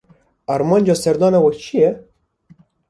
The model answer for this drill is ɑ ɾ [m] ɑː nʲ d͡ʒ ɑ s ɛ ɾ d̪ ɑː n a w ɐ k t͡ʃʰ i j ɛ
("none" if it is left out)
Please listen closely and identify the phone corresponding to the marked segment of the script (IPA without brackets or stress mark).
m